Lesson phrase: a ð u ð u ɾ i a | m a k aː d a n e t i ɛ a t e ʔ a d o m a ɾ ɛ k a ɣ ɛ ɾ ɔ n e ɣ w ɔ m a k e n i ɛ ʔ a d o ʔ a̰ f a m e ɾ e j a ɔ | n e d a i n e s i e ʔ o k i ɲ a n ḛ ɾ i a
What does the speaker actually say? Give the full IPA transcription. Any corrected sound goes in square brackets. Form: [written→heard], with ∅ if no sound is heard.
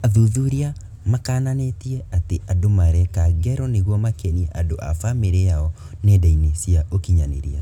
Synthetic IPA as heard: a ð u ð u ɾ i a | m a k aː [d→n] a n e t i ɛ a t e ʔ a d o m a ɾ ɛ k a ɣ ɛ ɾ ɔ n e ɣ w ɔ m a k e n i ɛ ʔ a d o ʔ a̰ f a m e ɾ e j a ɔ | n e d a i n e s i [e→a] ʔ o k i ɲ a n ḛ ɾ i a